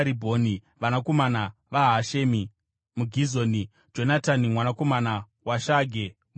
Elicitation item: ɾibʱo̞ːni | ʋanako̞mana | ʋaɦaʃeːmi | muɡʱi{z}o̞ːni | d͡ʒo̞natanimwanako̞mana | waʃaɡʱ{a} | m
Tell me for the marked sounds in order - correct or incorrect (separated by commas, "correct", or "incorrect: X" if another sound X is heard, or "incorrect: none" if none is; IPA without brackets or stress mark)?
correct, incorrect: e